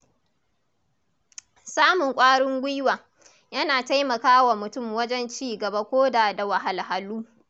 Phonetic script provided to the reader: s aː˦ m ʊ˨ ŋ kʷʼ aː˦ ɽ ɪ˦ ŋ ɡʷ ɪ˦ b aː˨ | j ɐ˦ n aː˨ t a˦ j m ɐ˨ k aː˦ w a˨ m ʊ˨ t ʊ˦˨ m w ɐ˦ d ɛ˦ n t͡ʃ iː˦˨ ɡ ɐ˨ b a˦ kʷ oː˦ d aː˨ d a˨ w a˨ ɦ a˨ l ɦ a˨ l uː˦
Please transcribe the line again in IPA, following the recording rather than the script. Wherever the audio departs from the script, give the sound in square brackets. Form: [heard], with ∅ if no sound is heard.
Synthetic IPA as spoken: s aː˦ m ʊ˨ ŋ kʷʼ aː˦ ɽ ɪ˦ ŋ ɡʷ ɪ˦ [w] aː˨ | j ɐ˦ n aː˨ t a˦ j m ɐ˨ k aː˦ w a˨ m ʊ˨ t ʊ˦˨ m w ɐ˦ [d͡ʒ] ɛ˦ n t͡ʃ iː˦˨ ɡ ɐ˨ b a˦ kʷ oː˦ d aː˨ d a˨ w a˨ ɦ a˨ l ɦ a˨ l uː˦